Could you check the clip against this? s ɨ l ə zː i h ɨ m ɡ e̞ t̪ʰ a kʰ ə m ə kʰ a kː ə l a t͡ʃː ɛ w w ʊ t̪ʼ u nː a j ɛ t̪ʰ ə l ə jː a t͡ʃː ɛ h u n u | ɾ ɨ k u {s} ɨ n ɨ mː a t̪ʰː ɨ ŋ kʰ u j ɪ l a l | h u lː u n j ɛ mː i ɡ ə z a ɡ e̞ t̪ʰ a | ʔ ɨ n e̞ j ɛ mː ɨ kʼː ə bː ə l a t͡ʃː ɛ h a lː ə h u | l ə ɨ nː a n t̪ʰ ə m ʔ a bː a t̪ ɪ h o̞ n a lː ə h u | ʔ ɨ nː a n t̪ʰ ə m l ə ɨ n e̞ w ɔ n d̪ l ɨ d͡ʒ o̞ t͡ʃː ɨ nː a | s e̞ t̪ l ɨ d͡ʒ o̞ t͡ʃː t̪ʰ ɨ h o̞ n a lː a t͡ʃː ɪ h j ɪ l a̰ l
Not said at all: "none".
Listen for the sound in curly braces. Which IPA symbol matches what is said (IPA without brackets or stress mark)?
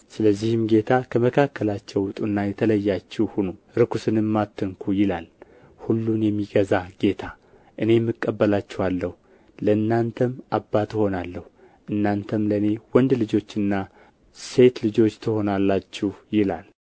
s